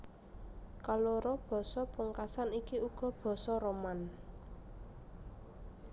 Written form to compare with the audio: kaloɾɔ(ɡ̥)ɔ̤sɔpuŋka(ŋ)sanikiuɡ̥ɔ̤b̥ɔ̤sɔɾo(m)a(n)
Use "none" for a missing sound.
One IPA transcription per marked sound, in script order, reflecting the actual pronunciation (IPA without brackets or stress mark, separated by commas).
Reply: b̥, none, m, n